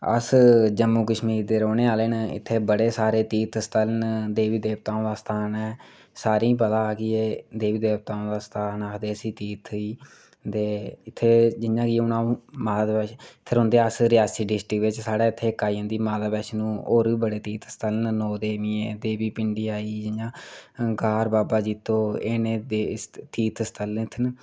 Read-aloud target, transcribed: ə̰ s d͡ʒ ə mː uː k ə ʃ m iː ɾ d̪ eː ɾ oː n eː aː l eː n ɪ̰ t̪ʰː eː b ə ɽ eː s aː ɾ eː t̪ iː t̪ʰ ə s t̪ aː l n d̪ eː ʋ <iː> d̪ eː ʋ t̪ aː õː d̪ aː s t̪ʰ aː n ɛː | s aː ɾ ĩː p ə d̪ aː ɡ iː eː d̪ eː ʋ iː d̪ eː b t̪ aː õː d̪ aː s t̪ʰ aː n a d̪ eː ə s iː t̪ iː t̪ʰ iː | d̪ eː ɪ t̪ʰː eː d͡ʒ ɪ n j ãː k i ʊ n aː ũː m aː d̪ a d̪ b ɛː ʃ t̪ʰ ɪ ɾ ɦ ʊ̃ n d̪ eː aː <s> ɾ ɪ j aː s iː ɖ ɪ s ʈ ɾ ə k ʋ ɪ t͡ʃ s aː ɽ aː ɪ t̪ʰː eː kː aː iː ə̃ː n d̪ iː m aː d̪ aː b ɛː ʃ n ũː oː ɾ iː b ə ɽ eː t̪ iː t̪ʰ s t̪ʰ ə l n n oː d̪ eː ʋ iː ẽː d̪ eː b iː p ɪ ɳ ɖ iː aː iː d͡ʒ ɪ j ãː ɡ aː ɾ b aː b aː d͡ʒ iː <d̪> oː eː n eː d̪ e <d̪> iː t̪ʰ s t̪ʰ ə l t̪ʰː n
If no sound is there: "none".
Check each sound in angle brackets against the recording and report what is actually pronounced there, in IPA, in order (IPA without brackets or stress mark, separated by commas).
iː, s, t̪, t̪